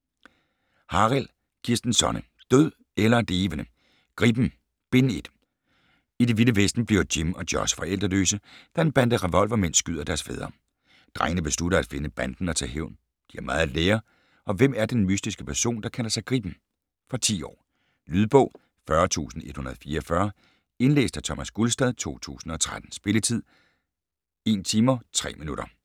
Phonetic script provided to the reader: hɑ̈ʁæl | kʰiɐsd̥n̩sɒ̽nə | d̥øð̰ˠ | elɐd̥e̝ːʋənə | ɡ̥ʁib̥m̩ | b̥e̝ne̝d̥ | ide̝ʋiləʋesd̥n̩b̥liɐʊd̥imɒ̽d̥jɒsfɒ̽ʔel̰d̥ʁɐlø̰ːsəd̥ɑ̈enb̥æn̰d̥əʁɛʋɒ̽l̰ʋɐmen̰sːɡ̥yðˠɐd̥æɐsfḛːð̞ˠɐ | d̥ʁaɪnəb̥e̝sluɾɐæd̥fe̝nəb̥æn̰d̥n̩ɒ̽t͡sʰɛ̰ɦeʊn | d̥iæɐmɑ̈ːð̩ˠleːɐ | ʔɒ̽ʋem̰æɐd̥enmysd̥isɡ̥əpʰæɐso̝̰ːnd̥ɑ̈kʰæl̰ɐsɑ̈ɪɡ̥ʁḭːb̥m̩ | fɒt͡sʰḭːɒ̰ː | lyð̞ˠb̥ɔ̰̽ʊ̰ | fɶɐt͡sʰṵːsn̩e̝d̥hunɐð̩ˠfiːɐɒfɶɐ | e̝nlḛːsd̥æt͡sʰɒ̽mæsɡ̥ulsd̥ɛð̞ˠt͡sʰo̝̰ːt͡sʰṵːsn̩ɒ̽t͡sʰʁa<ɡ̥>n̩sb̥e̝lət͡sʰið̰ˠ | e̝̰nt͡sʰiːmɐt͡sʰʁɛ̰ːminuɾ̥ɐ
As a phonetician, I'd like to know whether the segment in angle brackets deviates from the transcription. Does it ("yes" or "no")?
yes